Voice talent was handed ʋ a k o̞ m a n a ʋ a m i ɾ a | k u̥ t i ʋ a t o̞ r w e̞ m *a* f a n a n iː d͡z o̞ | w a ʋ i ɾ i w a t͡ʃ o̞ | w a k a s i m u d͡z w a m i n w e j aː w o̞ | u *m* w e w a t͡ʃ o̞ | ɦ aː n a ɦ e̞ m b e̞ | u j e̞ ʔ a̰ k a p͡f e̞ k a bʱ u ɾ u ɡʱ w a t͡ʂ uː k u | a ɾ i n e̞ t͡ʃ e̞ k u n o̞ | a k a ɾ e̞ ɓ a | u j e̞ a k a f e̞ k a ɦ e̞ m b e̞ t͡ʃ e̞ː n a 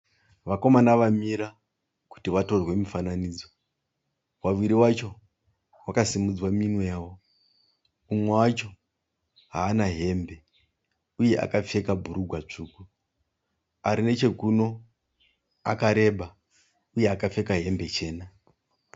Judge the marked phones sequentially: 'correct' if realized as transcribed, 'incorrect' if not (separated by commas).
incorrect, correct